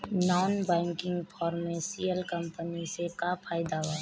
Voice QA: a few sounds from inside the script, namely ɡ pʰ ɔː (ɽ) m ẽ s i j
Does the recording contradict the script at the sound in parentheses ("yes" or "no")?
yes